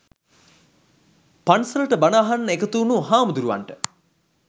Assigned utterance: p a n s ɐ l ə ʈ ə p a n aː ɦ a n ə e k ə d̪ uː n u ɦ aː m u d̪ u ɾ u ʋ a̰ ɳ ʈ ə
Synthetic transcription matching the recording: p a n s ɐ l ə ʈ ə b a n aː ɦ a nː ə e k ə t̪ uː n u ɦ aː m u d̪ u ɾ u ʋ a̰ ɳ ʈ ə